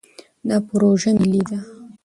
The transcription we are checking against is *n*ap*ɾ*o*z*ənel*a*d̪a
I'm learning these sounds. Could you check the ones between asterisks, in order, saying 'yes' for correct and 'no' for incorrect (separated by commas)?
yes, yes, no, no